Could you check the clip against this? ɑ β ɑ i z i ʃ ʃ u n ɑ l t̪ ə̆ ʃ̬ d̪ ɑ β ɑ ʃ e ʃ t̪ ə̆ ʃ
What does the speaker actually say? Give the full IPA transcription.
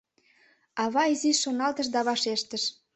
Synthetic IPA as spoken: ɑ β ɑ i z i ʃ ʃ o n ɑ l t̪ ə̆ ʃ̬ d̪ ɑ β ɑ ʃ e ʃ t̪ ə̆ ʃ